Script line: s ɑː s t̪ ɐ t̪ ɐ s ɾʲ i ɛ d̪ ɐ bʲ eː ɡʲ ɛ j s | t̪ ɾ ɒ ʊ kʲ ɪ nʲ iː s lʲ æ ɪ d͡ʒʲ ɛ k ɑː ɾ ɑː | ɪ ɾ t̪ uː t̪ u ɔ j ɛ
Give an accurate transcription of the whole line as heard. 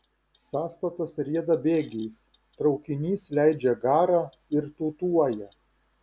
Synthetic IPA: s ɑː s t̪ ɐ t̪ ɐ s ɾʲ i ɛ d̪ ɐ bʲ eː ɡʲ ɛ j s | t̪ ɾ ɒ ʊ kʲ ɪ nʲ iː s lʲ æ ɪ d͡ʒʲ ɛ ɡ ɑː ɾ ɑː | ɪ ɾ t̪ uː t̪ u ɔ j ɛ

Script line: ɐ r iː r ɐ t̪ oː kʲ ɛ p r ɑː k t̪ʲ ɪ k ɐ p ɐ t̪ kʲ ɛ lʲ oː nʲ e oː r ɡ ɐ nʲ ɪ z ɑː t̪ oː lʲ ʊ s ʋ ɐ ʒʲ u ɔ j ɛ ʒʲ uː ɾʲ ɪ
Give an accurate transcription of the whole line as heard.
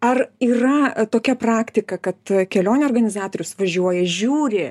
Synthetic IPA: ɐ r iː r ɐ t̪ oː kʲ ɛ p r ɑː k t̪ʲ ɪ k ɐ k ɐ t̪ kʲ ɛ lʲ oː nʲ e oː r ɡ ɐ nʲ ɪ z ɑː t̪ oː ɾʲ ʊ s ʋ ɐ ʒʲ u ɔ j ɛ ʒʲ uː ɾʲ ɪ

